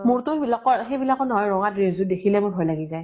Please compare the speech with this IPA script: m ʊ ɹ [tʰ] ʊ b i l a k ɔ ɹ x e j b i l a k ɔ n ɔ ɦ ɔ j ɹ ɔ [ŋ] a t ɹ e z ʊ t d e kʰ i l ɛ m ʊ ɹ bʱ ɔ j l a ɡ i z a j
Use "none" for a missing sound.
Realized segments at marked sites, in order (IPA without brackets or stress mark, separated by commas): t, ŋ